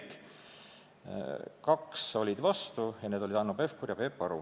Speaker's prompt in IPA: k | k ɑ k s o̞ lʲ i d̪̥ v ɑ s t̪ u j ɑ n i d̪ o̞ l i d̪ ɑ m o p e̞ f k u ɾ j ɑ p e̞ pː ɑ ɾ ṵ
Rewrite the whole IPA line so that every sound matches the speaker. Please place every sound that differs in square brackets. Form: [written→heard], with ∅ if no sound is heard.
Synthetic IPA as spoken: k | k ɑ k s o̞ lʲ i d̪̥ v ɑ s t̪ u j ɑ n [i→e] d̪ o̞ l i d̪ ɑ [m→n] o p e̞ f k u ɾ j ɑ p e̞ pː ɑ ɾ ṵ